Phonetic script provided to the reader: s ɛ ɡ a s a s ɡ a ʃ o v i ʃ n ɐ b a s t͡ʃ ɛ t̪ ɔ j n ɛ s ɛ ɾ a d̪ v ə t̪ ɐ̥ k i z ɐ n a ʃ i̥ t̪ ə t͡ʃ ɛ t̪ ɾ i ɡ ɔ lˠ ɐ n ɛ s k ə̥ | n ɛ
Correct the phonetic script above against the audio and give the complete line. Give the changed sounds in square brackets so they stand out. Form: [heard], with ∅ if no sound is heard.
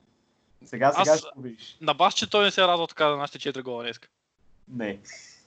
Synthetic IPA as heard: s ɛ ɡ a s a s ɡ a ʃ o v i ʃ n ɐ b a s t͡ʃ ɛ t̪ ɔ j n ɛ s ɛ ɾ a d̪ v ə t̪ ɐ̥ k [a] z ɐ n a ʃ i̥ t̪ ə t͡ʃ ɛ t̪ ɾ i ɡ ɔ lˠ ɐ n ɛ s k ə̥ | n ɛ